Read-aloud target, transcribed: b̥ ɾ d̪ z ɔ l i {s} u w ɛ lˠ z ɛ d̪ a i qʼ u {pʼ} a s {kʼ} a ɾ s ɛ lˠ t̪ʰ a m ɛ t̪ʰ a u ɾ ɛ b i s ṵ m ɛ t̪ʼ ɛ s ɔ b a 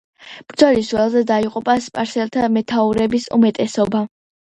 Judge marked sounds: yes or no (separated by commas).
yes, yes, no